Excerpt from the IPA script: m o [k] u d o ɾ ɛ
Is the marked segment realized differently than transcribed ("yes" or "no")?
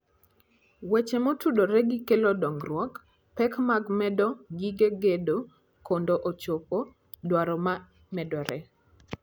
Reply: yes